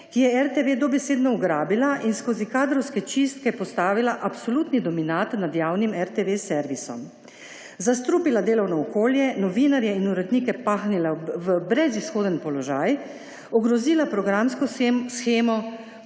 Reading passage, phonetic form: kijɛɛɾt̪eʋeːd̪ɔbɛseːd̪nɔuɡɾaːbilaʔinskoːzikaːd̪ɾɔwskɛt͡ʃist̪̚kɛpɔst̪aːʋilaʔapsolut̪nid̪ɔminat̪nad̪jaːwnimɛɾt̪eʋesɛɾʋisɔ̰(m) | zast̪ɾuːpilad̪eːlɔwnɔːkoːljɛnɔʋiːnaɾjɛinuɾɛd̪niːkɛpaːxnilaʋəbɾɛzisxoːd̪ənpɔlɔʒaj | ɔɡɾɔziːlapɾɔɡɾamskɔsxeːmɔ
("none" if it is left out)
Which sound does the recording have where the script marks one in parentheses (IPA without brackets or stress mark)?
m